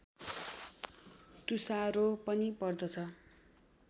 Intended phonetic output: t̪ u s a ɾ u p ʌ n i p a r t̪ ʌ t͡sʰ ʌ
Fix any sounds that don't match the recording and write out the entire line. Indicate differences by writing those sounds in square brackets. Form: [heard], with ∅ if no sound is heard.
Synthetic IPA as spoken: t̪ u s a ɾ [o] p ʌ n i p [ʌ] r [d̪] ʌ t͡sʰ ʌ